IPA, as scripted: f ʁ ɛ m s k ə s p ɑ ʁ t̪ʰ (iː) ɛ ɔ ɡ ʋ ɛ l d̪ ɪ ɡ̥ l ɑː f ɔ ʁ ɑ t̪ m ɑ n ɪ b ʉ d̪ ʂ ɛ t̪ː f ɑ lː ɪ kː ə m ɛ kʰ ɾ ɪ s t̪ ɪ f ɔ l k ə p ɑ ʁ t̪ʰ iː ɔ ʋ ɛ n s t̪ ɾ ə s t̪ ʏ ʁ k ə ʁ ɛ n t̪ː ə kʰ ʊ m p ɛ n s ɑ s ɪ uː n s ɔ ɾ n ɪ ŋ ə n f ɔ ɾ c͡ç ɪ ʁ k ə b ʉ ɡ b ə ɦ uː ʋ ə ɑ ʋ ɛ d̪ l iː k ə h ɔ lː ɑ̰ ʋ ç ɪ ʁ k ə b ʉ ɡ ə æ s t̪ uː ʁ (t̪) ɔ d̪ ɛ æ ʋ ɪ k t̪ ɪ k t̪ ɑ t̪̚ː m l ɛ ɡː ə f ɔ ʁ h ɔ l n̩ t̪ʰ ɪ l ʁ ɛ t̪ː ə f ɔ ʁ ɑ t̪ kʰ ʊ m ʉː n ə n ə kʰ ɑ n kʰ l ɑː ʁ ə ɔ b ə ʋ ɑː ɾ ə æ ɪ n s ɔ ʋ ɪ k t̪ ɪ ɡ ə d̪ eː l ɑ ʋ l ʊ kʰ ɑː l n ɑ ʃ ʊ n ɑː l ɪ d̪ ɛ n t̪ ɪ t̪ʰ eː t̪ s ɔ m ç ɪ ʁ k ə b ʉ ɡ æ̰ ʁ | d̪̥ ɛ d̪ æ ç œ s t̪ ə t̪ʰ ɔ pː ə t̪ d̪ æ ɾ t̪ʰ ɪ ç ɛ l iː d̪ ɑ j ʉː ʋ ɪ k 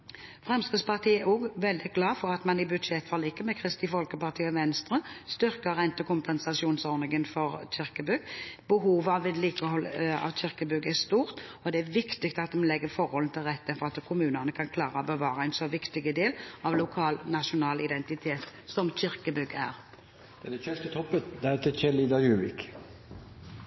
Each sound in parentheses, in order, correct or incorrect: correct, correct

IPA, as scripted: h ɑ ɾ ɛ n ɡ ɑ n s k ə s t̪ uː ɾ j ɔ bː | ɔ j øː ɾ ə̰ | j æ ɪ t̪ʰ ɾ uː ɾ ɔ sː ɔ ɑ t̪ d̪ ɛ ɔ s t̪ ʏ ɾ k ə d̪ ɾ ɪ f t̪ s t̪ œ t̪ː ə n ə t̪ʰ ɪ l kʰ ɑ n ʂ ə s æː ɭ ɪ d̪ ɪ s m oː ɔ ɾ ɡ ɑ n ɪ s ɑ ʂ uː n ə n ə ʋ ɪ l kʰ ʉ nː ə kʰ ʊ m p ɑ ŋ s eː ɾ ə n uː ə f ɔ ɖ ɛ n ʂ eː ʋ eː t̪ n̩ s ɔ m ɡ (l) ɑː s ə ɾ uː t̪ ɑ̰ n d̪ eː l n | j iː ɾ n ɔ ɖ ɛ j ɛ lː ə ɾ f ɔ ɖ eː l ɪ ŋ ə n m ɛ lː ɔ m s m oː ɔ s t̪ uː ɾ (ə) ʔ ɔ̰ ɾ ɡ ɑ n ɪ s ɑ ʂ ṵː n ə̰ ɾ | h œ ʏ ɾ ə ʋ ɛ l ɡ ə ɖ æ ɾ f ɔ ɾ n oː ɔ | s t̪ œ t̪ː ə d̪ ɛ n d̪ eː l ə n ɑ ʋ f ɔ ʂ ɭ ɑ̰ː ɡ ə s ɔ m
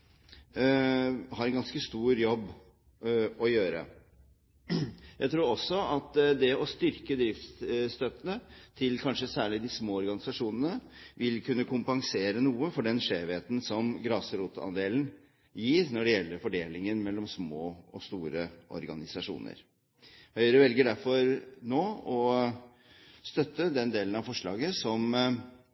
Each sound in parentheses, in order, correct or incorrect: incorrect, correct

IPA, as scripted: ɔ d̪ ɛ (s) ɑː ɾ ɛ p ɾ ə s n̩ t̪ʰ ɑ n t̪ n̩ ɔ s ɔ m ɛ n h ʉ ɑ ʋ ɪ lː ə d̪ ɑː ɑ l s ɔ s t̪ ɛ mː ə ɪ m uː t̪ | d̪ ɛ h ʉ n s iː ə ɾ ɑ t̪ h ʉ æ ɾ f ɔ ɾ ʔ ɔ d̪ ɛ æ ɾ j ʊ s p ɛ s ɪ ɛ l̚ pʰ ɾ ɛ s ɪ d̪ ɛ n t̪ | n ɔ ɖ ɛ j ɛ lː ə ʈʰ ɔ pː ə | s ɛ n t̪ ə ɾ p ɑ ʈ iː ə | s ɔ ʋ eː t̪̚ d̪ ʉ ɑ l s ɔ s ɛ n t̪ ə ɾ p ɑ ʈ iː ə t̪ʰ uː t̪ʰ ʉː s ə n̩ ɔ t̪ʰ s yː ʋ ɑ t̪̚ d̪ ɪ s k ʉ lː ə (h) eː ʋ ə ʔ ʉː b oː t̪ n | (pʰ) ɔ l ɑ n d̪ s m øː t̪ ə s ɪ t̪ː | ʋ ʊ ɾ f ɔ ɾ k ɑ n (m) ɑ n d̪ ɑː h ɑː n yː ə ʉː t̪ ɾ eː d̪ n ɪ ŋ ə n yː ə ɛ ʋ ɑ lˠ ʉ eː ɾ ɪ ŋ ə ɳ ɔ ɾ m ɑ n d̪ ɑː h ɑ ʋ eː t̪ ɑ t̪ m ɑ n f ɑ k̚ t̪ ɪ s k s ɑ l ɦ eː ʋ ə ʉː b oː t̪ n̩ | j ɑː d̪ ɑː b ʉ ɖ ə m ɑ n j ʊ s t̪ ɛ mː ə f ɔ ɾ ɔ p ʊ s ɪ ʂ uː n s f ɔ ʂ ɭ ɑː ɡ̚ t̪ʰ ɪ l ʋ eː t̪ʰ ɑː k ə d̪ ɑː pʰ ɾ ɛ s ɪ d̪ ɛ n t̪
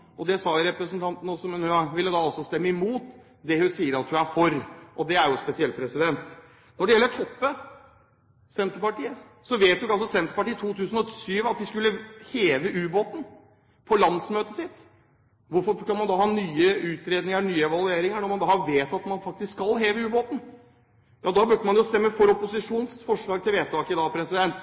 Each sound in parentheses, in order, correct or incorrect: correct, correct, correct, correct

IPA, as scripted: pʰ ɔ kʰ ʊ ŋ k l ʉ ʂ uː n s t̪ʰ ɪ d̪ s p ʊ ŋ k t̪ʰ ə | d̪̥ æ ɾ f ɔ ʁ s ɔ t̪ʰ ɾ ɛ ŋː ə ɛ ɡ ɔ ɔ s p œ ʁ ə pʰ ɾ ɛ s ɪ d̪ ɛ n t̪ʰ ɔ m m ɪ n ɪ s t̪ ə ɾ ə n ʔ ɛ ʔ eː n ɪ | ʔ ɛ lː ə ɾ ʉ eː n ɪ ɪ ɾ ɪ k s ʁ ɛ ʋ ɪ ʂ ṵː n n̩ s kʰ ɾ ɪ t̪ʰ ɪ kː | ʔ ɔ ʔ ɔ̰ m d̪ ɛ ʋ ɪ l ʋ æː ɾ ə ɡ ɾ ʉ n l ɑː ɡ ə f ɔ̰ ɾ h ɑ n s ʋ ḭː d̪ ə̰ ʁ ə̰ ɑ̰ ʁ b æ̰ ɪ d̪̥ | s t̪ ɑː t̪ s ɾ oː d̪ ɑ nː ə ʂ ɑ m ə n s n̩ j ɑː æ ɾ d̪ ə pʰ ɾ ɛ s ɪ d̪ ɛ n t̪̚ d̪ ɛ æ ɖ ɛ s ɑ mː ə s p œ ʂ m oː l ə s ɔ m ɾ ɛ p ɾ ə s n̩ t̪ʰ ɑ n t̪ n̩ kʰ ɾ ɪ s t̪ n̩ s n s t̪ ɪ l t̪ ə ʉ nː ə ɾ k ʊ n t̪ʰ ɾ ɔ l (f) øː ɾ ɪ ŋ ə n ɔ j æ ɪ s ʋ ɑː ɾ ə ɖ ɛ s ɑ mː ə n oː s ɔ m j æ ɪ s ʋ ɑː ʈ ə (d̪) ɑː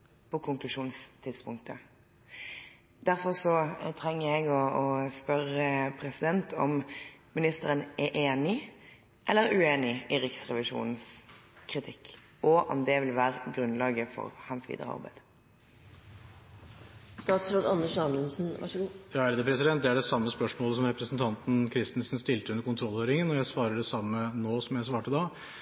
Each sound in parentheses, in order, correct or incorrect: incorrect, correct

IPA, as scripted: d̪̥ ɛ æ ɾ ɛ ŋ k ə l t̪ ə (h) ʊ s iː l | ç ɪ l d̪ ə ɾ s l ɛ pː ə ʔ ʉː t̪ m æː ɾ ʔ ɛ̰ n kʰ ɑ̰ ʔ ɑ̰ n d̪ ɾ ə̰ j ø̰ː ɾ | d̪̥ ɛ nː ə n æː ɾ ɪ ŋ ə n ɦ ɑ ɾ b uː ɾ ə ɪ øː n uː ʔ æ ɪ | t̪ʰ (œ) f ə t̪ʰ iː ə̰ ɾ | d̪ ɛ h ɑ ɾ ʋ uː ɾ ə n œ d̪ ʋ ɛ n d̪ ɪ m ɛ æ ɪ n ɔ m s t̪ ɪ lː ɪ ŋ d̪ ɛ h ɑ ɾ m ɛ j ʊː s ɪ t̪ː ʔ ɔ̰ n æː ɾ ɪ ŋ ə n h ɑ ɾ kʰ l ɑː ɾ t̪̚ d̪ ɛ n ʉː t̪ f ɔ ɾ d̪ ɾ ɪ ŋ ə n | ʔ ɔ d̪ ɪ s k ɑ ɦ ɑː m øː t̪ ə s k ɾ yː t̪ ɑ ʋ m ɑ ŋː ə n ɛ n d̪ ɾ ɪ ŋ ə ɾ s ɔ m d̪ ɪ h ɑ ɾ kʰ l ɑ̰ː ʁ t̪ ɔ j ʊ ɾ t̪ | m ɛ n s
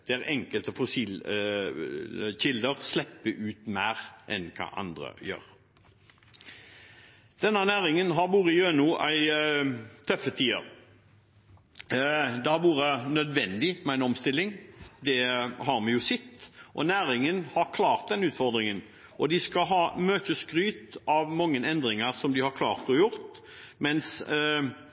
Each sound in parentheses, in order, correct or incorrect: incorrect, correct

